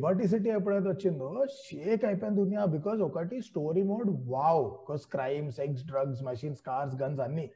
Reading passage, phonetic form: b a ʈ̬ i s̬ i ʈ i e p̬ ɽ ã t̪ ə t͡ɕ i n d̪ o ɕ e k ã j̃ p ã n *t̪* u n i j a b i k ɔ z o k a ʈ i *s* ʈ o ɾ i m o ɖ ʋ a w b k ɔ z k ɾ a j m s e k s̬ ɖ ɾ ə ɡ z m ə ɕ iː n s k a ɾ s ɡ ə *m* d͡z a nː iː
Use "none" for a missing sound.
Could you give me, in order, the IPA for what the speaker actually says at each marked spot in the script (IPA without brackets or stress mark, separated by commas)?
d̪, s, n